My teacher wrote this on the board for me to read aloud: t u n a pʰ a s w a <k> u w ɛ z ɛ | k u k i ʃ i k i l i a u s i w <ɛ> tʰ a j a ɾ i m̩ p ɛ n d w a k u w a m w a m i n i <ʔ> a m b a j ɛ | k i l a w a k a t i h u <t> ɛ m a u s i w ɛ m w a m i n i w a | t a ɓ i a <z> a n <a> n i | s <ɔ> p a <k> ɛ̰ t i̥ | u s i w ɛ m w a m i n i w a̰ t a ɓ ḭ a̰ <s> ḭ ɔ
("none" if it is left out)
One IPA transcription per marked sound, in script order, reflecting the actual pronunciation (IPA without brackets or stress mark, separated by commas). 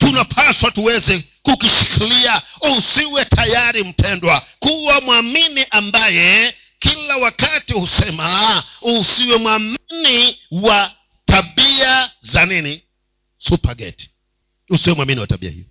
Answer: t, ɛ, ʔ, s, z, i, u, ɡ, h